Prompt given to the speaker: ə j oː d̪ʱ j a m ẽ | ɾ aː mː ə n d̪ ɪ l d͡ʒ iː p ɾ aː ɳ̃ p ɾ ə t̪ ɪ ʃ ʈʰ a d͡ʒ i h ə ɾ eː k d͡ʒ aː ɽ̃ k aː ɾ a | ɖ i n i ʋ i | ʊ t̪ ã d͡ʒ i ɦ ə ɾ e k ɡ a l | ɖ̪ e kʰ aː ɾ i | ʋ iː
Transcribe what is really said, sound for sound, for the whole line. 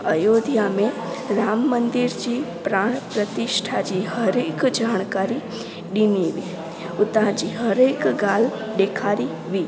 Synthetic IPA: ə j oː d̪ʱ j a m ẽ | ɾ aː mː ə n d̪ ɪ ɾ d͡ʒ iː p ɾ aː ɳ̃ p ɾ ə t̪ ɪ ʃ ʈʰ a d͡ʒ i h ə ɾ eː k d͡ʒ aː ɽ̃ k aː ɾ i | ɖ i n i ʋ i | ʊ t̪ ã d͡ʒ i ɦ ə ɾ e k ɡ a l | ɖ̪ e kʰ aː ɾ i | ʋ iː